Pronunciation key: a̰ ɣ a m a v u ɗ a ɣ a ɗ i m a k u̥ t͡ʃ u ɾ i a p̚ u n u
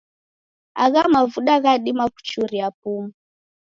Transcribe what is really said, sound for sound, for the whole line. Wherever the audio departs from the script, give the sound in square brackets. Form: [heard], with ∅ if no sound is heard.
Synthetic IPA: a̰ ɣ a m a v u ɗ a ɣ a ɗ i m a k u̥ t͡ʃ u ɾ i a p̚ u [m] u